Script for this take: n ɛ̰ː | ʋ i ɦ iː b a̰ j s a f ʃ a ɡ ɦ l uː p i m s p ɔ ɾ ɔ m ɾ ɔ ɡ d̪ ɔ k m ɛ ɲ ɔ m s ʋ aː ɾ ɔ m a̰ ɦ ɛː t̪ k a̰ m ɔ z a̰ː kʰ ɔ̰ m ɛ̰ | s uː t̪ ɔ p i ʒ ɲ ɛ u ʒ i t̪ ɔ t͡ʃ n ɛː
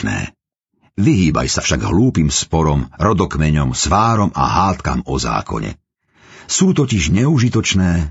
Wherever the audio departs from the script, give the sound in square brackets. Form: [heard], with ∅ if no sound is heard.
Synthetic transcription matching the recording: n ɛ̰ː | ʋ i ɦ iː b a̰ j s a f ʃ a ɡ ɦ l uː p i m s p ɔ ɾ ɔ m ɾ ɔ [∅] d̪ ɔ k m ɛ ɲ ɔ m s ʋ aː ɾ ɔ m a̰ ɦ [aː] t̪ k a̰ m ɔ z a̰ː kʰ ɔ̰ [ɲ] ɛ̰ | s uː t̪ ɔ [c] i ʒ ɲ ɛ u ʒ i t̪ ɔ t͡ʃ n ɛː